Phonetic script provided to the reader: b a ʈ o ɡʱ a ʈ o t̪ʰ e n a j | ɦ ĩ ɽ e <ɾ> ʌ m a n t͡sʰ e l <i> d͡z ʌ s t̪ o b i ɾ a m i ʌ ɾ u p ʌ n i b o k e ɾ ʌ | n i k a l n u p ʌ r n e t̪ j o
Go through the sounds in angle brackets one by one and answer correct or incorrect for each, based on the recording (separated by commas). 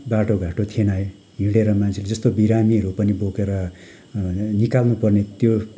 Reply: correct, incorrect